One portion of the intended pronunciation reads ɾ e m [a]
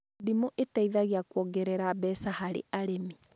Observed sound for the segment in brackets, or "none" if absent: i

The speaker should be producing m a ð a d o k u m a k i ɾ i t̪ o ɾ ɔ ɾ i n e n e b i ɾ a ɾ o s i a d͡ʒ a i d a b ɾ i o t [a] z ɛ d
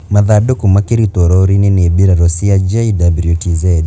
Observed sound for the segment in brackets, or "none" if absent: i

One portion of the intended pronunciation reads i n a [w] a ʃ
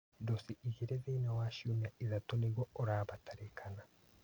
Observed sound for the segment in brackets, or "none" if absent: w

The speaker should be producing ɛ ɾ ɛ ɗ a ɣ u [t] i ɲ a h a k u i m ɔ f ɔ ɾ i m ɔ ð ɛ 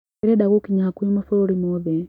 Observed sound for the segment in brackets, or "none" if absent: k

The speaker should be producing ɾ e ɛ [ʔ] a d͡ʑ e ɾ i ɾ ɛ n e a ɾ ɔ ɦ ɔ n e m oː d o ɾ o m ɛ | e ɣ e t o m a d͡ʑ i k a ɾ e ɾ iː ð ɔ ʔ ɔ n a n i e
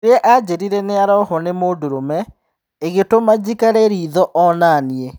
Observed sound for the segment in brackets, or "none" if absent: ʔ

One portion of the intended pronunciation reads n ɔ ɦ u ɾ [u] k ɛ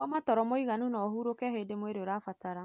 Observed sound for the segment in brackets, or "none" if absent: o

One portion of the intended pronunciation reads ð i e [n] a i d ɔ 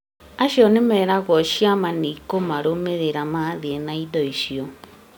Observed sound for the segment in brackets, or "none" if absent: n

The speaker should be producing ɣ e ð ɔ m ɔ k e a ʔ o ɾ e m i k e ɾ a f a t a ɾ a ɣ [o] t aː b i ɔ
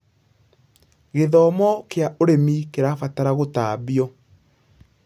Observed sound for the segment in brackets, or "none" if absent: o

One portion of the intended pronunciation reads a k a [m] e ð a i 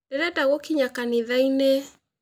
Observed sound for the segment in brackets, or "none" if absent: n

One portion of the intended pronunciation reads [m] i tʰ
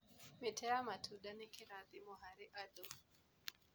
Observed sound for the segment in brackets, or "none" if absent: m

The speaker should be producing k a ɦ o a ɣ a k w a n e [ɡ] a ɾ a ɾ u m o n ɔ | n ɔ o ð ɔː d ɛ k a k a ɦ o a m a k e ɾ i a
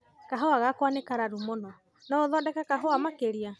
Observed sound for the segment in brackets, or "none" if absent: k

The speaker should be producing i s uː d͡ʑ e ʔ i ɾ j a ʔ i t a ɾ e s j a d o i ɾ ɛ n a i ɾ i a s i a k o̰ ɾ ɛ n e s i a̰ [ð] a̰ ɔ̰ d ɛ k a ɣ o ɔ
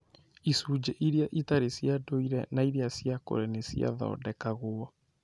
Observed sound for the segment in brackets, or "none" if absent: ð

